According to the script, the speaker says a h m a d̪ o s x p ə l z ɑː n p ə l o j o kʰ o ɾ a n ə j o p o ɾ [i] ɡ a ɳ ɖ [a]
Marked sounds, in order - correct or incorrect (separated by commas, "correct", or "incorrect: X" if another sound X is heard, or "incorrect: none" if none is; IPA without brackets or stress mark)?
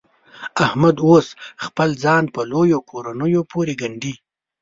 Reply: incorrect: e, incorrect: i